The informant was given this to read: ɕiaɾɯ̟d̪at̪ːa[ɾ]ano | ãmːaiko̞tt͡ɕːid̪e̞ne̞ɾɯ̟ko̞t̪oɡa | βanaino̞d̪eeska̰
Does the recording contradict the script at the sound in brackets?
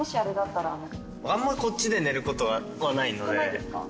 no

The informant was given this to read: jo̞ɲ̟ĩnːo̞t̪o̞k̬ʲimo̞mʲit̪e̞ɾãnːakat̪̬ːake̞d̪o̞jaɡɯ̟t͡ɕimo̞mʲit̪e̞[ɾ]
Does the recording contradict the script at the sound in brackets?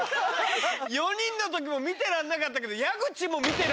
no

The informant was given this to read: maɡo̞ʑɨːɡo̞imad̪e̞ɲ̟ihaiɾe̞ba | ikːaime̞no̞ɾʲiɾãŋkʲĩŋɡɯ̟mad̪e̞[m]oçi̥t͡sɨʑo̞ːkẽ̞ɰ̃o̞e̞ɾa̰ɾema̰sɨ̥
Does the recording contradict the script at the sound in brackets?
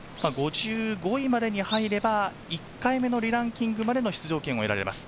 yes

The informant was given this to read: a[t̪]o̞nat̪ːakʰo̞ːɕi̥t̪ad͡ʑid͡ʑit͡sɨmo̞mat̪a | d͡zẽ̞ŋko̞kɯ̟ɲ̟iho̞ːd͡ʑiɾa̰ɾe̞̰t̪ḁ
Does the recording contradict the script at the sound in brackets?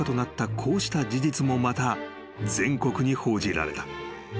no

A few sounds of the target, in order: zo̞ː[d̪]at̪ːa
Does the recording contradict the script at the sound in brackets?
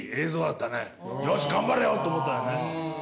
no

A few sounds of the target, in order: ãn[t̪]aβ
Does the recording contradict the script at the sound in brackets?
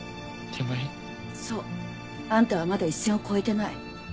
no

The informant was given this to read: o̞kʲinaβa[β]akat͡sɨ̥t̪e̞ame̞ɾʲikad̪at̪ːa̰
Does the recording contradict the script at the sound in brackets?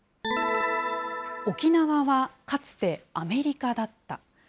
no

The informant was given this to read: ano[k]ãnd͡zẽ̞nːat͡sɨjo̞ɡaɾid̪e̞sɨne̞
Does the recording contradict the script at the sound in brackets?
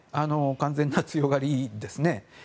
no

